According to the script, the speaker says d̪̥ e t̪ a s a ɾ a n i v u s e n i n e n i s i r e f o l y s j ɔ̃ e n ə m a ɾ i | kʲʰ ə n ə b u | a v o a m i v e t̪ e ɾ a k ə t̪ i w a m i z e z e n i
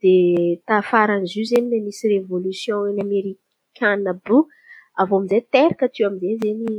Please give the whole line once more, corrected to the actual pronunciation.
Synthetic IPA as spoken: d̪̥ e t̪ a f a ɾ a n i z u z e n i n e m i s i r e v o l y s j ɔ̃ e n a m e ɾ i | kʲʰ a n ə b u | a v o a m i z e t̪ e ɾ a k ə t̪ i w a m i z e z e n i